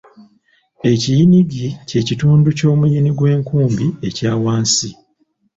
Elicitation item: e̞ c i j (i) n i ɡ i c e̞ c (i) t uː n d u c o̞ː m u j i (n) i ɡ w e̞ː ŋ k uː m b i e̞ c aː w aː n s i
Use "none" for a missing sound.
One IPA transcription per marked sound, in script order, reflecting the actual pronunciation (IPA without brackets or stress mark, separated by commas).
i, i, n